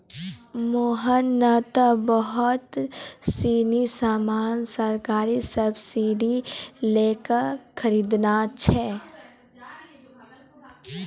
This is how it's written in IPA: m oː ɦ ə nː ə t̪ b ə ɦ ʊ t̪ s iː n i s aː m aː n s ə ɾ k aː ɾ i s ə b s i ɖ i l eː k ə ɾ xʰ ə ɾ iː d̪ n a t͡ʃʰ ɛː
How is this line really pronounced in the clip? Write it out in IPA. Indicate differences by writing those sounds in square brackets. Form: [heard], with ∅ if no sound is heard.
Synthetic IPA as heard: m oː ɦ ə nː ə t̪ b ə ɦ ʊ t̪ s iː n i s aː m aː n s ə ɾ k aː ɾ i s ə b s i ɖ i l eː k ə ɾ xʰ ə ɾ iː d̪ n a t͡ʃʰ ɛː